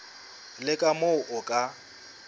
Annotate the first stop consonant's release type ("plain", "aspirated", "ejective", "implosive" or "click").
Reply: ejective